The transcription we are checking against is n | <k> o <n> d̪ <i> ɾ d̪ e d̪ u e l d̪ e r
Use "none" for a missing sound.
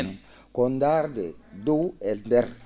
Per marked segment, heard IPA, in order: k, n, a

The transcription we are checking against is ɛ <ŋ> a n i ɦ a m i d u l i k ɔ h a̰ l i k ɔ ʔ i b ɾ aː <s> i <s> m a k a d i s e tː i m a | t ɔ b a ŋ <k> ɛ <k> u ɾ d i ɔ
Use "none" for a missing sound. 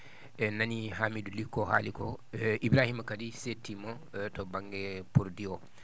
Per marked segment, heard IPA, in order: n, h, none, ɡ, p

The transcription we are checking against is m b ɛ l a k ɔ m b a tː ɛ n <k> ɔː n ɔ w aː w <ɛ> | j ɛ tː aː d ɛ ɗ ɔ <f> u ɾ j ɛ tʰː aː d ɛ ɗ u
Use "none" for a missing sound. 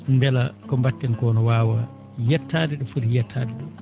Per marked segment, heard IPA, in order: k, a, f

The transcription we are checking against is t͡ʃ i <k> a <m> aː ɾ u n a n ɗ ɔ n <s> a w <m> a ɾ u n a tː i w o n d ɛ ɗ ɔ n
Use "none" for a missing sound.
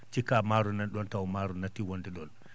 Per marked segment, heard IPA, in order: k, m, t, m

